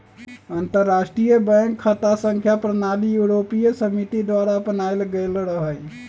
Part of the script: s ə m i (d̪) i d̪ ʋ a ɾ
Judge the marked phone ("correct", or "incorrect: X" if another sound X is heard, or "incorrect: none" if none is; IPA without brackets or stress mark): incorrect: t̪